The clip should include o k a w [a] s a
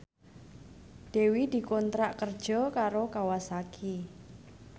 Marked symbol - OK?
yes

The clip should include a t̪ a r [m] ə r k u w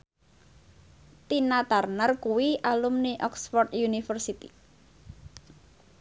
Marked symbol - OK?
no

